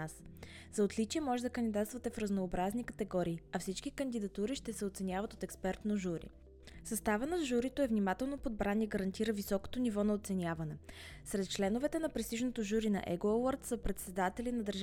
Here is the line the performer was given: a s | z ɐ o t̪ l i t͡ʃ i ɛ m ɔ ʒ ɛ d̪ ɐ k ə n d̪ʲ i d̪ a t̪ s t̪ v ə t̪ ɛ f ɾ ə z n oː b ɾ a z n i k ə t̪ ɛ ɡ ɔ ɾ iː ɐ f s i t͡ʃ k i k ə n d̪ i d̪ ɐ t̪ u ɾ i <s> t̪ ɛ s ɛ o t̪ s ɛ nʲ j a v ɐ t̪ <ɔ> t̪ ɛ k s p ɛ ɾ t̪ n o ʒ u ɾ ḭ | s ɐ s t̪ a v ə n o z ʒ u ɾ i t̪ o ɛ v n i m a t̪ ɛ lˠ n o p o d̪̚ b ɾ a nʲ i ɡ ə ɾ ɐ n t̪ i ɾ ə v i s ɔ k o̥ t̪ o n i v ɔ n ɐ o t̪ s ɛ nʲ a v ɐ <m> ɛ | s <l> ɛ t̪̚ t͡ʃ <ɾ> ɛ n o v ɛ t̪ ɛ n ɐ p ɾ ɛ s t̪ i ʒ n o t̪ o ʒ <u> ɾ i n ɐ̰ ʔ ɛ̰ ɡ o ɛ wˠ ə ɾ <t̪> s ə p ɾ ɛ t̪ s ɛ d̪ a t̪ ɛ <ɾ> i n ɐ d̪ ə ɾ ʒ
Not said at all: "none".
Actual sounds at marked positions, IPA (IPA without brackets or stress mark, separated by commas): ʃ, o, n, ɾ, l, u, t̪, l